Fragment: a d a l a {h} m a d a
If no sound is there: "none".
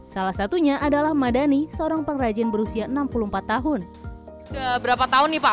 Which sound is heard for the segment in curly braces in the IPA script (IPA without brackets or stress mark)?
h